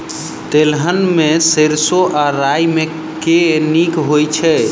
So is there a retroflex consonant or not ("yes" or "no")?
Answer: no